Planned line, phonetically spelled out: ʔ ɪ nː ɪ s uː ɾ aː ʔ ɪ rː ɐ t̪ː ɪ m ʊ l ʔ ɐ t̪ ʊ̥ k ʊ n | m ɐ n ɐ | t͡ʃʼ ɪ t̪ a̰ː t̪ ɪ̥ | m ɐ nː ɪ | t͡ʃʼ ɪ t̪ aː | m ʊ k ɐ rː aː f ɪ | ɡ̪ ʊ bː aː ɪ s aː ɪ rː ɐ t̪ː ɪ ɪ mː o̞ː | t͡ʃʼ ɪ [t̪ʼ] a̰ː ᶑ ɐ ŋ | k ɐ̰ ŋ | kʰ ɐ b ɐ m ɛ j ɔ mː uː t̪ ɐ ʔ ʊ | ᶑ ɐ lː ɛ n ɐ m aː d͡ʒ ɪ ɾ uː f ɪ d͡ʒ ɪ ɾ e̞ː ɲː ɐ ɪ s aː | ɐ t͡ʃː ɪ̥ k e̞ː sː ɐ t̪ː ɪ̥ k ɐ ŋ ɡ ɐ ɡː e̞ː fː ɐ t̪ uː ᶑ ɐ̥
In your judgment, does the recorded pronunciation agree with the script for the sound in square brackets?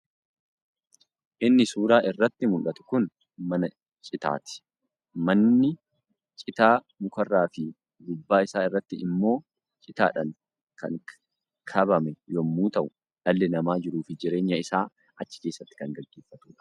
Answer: no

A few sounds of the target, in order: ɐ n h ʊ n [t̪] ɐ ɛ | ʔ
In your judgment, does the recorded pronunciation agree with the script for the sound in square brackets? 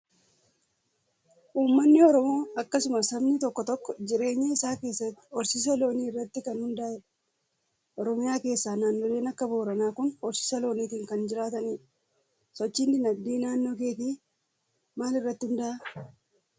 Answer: no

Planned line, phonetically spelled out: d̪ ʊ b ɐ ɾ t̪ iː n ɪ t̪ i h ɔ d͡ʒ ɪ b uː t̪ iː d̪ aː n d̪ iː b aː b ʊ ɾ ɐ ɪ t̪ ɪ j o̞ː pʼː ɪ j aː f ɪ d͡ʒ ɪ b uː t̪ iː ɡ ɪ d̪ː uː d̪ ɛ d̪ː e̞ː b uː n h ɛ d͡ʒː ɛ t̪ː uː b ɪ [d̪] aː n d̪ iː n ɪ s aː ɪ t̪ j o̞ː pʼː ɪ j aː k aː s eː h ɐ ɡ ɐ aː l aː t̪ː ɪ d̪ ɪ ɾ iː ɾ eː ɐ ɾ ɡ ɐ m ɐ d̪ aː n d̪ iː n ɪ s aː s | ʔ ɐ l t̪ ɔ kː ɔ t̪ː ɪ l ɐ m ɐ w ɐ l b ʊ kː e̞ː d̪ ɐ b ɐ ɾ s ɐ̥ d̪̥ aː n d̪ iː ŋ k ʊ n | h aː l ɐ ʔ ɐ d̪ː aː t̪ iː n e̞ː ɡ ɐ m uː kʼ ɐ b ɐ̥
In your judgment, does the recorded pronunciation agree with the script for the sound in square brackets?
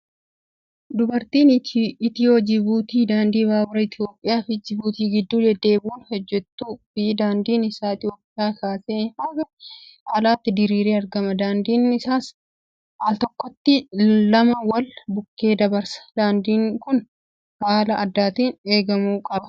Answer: yes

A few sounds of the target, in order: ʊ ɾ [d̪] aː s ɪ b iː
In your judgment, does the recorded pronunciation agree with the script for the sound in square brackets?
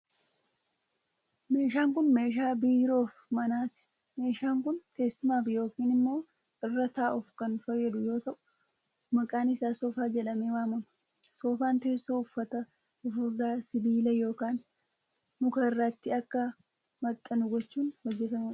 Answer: yes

